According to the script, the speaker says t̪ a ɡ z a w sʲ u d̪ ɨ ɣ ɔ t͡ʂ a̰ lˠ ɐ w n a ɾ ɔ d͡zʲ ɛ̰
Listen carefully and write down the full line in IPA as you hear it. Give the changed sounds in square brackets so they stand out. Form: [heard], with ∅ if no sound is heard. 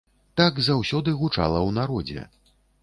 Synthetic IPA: t̪ a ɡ z a w sʲ [ɔ] d̪ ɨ ɣ [u] t͡ʂ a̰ lˠ ɐ w n a ɾ ɔ d͡zʲ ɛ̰

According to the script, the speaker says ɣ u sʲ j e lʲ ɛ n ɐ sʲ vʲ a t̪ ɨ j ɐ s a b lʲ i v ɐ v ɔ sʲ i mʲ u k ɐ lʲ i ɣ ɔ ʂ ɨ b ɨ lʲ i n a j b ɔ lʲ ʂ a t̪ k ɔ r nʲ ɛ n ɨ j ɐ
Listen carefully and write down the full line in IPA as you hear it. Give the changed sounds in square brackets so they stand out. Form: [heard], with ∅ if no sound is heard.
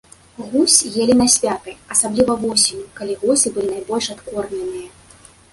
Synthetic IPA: ɣ u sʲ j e lʲ [i] n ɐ sʲ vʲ a t̪ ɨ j ɐ s a b lʲ i v ɐ v ɔ sʲ i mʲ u k [a] lʲ i ɣ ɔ [s] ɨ b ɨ lʲ i n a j b ɔ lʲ ʂ a t̪ k ɔ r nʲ ɛ n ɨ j ɐ

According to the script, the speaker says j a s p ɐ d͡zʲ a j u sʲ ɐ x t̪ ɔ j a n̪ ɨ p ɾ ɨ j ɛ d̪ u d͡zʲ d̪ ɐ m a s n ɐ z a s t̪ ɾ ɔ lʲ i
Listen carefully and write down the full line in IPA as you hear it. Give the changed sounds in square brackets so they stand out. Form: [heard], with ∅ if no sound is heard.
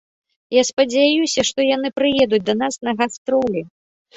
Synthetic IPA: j a s p ɐ d͡zʲ a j u sʲ ɐ [ʂ] t̪ ɔ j a n̪ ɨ p ɾ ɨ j ɛ d̪ u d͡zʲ d̪ ɐ [n] a s n ɐ [ɣ] a s t̪ ɾ ɔ lʲ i

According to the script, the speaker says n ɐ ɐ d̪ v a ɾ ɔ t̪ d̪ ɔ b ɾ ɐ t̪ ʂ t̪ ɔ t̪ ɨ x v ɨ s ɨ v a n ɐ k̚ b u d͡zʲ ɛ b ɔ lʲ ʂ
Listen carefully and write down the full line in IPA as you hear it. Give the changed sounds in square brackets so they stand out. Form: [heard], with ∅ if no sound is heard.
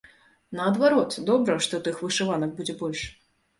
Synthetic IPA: n ɐ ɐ d̪ v a ɾ ɔ t̪ d̪ ɔ b ɾ ɐ [∅] ʂ t̪ ɔ t̪ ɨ x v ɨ [ʂ] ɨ v a n ɐ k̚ b u d͡zʲ ɛ b ɔ lʲ ʂ

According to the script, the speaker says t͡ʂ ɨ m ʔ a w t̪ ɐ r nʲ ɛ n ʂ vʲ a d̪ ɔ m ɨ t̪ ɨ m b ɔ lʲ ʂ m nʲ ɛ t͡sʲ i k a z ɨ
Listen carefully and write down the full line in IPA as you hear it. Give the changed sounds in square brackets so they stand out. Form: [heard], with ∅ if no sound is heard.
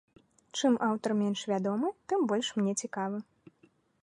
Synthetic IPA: t͡ʂ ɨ m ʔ a w t̪ ɐ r [mʲ] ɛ n ʂ vʲ a d̪ ɔ m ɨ t̪ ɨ m b ɔ lʲ ʂ m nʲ ɛ t͡sʲ i k a [v] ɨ

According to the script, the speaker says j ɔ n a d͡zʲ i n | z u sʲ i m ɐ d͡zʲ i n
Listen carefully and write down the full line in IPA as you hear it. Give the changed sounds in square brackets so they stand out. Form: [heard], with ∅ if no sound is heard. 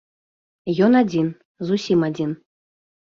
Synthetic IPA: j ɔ n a d͡zʲ i n | z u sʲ i m [a] d͡zʲ i n

